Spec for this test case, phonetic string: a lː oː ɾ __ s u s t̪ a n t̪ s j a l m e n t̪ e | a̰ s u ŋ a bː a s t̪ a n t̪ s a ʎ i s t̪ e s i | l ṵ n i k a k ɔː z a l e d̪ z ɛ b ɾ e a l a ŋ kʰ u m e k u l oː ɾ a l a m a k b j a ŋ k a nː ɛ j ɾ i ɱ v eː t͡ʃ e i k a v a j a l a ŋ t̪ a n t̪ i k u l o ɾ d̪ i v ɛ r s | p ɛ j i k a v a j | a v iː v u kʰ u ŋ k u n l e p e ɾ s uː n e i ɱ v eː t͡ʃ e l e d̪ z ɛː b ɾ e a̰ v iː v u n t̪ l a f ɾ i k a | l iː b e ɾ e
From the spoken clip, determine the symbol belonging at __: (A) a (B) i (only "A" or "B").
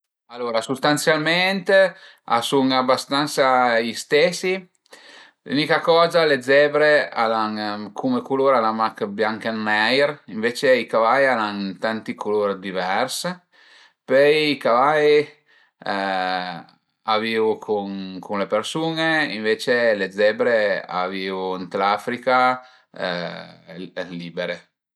A